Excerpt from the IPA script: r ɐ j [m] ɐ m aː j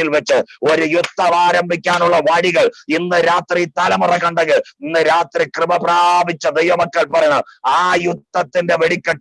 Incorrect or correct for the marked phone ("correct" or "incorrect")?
incorrect